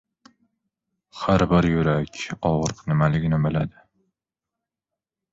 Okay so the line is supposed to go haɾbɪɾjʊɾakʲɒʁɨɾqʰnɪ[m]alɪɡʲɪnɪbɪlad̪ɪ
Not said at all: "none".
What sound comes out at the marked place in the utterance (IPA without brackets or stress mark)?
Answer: m